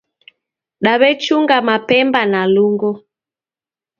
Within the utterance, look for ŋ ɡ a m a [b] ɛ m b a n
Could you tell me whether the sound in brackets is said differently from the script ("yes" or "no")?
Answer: yes